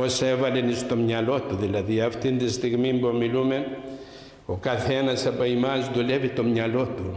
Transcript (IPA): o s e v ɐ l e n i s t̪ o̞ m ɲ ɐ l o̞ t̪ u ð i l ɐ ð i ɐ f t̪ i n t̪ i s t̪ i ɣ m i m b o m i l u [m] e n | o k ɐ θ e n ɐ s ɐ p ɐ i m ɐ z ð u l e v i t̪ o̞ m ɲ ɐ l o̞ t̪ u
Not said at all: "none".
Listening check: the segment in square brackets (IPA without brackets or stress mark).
m